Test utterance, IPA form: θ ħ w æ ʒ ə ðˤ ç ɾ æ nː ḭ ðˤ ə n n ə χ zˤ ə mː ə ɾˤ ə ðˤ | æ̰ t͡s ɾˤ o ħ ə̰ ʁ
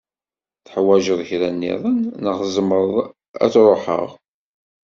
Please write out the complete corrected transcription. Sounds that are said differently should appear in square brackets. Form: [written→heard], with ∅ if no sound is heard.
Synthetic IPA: θ ħ w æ ʒ ə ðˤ ç ɾ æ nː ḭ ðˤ ə n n ə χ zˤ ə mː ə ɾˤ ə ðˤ | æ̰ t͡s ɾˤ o ħ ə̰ ʁ